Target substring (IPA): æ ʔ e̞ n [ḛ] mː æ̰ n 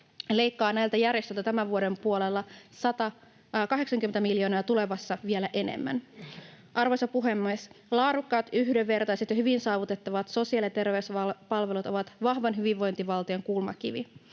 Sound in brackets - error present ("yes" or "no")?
no